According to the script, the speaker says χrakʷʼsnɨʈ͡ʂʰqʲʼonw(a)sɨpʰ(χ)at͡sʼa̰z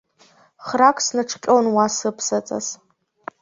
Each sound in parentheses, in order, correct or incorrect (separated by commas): correct, incorrect